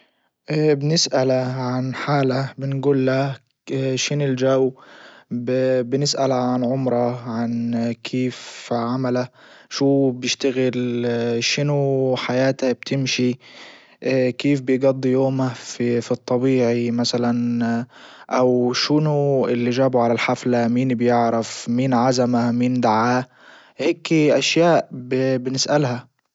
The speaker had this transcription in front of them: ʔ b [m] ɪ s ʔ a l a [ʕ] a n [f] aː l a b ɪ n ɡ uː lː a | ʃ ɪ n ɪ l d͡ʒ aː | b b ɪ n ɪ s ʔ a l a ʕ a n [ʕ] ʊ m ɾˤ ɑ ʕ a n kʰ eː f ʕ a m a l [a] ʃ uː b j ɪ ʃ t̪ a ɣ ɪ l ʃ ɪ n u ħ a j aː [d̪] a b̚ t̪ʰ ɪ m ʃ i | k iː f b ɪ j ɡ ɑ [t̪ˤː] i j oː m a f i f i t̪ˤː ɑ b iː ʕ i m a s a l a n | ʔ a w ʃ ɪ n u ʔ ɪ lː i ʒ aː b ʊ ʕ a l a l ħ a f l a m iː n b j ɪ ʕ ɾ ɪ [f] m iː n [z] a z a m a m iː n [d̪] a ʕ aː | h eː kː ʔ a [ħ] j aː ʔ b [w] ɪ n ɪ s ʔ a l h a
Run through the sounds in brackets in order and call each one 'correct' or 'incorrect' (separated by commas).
incorrect, correct, incorrect, correct, correct, incorrect, incorrect, correct, incorrect, correct, incorrect, incorrect